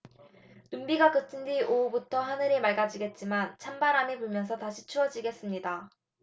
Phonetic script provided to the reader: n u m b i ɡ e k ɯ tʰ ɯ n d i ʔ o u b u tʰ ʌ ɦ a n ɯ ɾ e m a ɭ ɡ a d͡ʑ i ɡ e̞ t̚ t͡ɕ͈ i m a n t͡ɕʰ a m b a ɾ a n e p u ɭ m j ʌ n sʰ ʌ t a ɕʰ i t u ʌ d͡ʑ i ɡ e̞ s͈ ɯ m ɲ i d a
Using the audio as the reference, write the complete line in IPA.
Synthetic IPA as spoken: n u m b i ɡ a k ɯ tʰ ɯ n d i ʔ o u b u tʰ ʌ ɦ a n ɯ ɾ e m a ɭ ɡ a d͡ʑ i ɡ e̞ t̚ t͡ɕ͈ i m a n t͡ɕʰ a m b a ɾ a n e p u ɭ m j ʌ n sʰ ʌ t a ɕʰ i t͡ɕʰ u ʌ d͡ʑ i ɡ e̞ s͈ ɯ m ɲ i d a

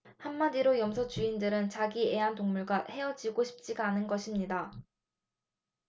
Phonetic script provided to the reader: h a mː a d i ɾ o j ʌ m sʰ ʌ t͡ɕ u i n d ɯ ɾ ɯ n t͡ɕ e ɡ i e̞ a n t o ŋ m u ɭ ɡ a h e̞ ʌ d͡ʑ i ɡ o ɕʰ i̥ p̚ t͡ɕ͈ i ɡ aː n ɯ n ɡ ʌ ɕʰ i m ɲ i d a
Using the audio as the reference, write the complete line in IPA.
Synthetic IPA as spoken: h a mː a d i ɾ o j ʌ m sʰ ʌ t͡ɕ u i n d ɯ ɾ ɯ n t͡ɕ a ɡ i e̞ a n t o ŋ m u ɭ ɡ a h e̞ ʌ d͡ʑ i ɡ o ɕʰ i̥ p̚ t͡ɕ͈ i ɡ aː n ɯ n ɡ ʌ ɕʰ i m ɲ i d a

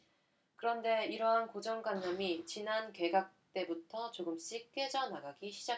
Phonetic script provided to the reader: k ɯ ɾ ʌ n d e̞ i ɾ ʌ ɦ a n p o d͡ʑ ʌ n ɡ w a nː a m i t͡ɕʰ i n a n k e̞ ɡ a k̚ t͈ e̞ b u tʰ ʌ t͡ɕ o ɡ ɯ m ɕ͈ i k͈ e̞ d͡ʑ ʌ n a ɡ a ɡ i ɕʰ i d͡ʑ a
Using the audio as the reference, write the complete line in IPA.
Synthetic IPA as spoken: k ɯ ɾ ʌ n d e̞ i ɾ ʌ ɦ a n k o d͡ʑ ʌ ŋ ɡ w a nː a m i t͡ɕ i n a n k e̞ ɡ a k̚ t͈ e̞ b u tʰ ʌ t͡ɕ o ɡ ɯ m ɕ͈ i k͈ e̞ d͡ʑ ʌ n a ɡ a ɡ i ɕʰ i d͡ʑ a

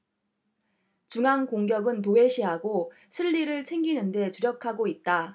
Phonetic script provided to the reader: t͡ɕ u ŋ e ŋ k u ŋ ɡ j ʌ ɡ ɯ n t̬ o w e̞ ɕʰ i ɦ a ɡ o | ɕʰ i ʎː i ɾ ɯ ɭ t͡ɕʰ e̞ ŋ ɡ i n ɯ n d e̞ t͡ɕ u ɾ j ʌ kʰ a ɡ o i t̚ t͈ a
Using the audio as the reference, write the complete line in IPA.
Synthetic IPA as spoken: t͡ɕ u ŋ a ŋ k o ŋ ɡ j ʌ ɡ ɯ n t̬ o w e̞ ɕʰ i ɦ a ɡ o | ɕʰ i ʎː i ɾ ɯ ɭ t͡ɕʰ e̞ ŋ ɡ i n ɯ n d e̞ t͡ɕ u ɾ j ʌ kʰ a ɡ o i t̚ t͈ a

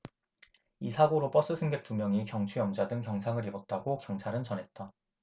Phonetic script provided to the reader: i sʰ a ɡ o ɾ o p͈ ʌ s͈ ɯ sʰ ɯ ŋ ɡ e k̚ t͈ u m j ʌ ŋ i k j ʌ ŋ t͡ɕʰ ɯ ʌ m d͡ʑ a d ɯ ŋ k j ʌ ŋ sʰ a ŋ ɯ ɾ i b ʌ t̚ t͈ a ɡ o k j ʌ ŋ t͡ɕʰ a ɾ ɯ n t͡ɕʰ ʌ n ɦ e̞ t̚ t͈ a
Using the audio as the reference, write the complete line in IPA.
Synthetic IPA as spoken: i sʰ a ɡ o ɾ o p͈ ʌ s͈ ɯ sʰ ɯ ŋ ɡ e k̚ t͈ u m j ʌ ŋ i k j ʌ ŋ t͡ɕʰ u ʌ m d͡ʑ a d ɯ ŋ k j ʌ ŋ sʰ a ŋ ɯ ɾ i b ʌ t̚ t͈ a ɡ o k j ʌ ŋ t͡ɕʰ a ɾ ɯ n t͡ɕ ʌ n ɦ e̞ t̚ t͈ a

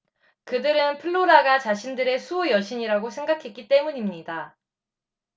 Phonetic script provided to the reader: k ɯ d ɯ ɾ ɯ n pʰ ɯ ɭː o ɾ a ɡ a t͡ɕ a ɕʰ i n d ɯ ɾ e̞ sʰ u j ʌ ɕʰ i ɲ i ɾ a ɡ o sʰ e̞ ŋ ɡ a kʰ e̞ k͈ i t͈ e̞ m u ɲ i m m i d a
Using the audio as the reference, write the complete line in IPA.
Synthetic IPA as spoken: k ɯ d ɯ ɾ ɯ n pʰ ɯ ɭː o ɾ a ɡ a t͡ɕ a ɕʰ i n d ɯ ɾ e̞ sʰ u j ʌ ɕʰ i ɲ i ɾ a ɡ o sʰ e̞ ŋ ɡ a kʰ e̞ k͈ i t͈ e̞ m u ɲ i m ɲ i d a

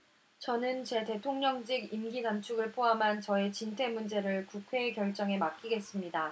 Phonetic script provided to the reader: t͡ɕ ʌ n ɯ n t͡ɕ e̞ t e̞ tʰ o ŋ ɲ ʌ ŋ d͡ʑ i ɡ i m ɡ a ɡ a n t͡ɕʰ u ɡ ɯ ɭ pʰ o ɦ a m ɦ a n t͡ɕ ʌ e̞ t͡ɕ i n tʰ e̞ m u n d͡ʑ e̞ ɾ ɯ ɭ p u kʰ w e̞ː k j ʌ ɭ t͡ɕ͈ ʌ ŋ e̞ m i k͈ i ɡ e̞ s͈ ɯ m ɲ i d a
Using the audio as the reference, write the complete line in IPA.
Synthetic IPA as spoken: t͡ɕ ʌ n ɯ n t͡ɕ e̞ t e̞ tʰ o ŋ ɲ ʌ ŋ d͡ʑ i ɡ i m ɡ i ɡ a n t͡ɕʰ u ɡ ɯ ɭ pʰ o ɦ a m ɦ a n t͡ɕ ʌ e̞ t͡ɕ i n tʰ e̞ m u n d͡ʑ e̞ ɾ ɯ ɭ k u kʰ w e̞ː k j ʌ ɭ t͡ɕ͈ ʌ ŋ e̞ m a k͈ i ɡ e̞ s͈ ɯ m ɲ i d a

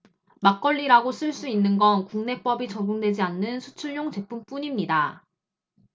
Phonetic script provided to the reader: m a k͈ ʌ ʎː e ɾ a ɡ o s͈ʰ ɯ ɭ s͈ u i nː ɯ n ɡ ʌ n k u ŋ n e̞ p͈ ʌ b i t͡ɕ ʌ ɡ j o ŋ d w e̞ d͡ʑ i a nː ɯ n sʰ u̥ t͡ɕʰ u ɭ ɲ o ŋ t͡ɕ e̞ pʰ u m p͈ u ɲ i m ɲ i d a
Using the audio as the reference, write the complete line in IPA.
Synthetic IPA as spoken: m a k͈ ʌ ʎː i ɾ a ɡ o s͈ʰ ɯ ɭ s͈ u i nː ɯ n ɡ ʌ n k u ŋ n e̞ p͈ ʌ b i t͡ɕ ʌ ɡ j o ŋ d w e̞ d͡ʑ i a nː ɯ n sʰ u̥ t͡ɕʰ u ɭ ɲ o ŋ t͡ɕ e̞ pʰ u m p͈ u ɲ i m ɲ i d a

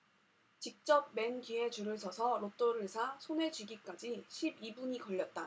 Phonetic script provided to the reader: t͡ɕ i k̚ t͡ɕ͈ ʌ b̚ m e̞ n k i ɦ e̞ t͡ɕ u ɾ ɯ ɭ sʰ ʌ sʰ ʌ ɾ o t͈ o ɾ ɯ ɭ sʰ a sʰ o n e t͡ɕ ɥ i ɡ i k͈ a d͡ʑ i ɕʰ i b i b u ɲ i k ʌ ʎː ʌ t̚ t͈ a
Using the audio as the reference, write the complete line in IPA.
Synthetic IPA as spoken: t͡ɕ i k̚ t͡ɕ͈ ʌ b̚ m e̞ n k i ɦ e̞ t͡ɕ u ɾ ɯ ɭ sʰ ʌ sʰ ʌ ɾ o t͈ o ɾ ɯ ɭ sʰ a sʰ o n e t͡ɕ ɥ i ɡ i k͈ a d͡ʑ i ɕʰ i b i b u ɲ i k ʌ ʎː ʌ t̚ t͈ a

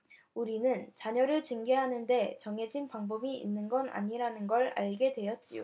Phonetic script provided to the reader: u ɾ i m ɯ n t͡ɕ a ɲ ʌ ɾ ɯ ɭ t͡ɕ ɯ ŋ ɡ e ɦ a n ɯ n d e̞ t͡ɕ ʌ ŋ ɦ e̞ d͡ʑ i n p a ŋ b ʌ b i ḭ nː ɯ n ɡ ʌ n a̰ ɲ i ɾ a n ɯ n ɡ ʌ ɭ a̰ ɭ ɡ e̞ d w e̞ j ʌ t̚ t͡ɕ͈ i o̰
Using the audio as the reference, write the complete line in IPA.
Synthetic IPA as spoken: u ɾ i n ɯ n t͡ɕ a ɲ ʌ ɾ ɯ ɭ t͡ɕ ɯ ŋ ɡ e ɦ a n ɯ n d e̞ t͡ɕ ʌ ŋ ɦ e̞ d͡ʑ i n p a ŋ b ʌ b i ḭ nː ɯ n ɡ ʌ n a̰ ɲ i ɾ a n ɯ n ɡ ʌ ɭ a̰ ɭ ɡ e̞ d w e̞ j ʌ t̚ t͡ɕ͈ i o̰

